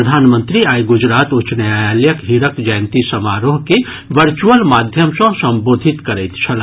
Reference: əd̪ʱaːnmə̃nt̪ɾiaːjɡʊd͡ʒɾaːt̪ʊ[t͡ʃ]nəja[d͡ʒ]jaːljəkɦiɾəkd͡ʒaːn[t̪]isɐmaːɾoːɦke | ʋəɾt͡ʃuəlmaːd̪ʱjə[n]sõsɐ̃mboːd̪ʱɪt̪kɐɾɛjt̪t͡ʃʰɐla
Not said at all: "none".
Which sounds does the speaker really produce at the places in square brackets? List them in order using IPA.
t͡ʃ, none, t̪, m

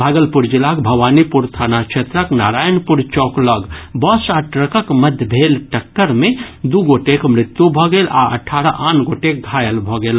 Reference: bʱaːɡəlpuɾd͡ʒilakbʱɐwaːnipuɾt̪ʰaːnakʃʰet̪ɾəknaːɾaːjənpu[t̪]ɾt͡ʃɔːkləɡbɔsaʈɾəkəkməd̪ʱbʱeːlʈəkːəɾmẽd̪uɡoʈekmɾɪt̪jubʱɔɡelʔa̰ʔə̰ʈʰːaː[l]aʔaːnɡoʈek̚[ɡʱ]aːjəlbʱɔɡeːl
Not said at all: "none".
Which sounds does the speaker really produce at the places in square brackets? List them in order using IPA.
none, ɾ, ɡʱ

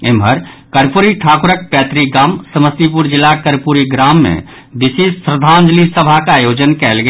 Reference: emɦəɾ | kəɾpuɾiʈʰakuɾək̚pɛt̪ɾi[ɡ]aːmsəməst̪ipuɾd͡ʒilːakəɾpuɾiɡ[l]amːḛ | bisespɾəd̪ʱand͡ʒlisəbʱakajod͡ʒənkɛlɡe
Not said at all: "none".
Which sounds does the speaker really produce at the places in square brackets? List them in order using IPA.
ɡ, ɾ

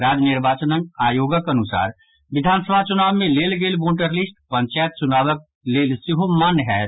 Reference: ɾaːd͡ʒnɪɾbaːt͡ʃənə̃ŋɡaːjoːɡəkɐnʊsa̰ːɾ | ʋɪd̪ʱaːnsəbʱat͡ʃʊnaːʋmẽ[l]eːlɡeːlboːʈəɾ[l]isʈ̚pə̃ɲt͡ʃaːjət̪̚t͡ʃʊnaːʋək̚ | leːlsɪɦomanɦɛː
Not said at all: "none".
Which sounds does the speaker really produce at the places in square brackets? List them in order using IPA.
l, l

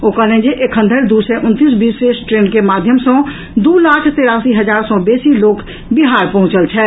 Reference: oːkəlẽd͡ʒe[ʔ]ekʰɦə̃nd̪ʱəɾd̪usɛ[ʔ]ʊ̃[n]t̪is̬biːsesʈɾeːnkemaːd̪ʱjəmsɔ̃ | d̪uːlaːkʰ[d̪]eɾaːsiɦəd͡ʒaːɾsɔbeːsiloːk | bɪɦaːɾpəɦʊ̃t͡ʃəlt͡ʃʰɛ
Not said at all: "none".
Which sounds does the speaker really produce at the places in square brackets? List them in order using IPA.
ʔ, ʔ, n, t̪

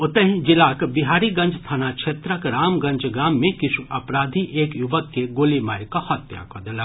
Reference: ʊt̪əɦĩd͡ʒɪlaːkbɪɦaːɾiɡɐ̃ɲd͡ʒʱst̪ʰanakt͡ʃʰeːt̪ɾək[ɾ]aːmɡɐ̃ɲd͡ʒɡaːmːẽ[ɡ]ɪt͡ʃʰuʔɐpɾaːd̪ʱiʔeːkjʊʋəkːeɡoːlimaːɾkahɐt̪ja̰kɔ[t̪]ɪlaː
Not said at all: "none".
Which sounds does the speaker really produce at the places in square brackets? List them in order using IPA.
ɾ, k, d̪

